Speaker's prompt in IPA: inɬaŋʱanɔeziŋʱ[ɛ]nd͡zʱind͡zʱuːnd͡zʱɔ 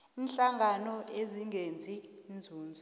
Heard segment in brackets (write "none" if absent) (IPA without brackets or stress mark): e